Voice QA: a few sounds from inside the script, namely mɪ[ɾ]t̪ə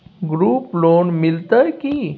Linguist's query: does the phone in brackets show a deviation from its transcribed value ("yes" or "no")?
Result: yes